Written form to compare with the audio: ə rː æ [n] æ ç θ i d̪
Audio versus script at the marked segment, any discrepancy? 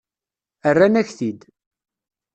no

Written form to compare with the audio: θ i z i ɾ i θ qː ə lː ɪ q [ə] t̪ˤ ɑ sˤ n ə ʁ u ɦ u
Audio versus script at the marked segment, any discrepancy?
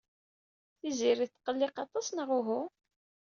yes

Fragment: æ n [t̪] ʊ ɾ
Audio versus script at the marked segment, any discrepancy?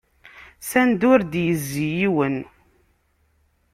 yes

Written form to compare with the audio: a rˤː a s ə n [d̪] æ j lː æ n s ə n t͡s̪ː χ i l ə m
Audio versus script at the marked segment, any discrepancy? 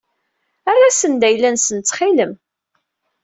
no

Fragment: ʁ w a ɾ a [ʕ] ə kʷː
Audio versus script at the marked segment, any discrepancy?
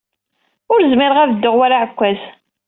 no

